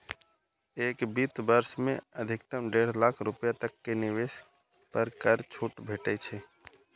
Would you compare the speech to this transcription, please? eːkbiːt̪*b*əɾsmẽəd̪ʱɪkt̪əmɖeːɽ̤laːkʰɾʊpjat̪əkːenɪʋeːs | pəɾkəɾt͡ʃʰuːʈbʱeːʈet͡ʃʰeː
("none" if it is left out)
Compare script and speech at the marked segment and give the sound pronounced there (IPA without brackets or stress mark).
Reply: b